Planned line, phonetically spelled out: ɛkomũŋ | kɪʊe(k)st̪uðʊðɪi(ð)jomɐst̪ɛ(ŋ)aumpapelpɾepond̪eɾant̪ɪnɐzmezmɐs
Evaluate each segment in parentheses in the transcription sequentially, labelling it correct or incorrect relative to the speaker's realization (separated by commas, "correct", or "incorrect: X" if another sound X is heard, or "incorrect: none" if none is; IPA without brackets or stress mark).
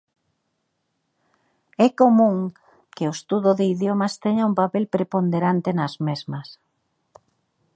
incorrect: none, correct, incorrect: ɲ